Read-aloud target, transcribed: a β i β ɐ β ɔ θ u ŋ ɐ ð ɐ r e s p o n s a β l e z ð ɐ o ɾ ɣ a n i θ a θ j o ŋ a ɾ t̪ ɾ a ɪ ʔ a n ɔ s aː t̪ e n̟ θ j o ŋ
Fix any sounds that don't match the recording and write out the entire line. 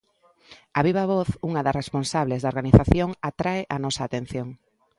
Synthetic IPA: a β i β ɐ β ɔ θ u ŋ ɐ ð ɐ r e s p o n s a β l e z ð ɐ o ɾ ɣ a n i θ a θ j o ŋ a t̪ ɾ a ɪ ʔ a n ɔ s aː t̪ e n̟ θ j o ŋ